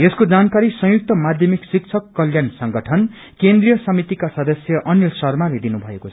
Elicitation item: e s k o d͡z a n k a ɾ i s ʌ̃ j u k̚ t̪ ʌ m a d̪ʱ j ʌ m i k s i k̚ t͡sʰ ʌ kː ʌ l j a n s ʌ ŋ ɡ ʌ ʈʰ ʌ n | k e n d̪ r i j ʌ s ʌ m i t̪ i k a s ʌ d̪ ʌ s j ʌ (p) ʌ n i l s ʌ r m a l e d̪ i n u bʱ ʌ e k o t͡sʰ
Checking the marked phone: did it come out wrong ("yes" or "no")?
yes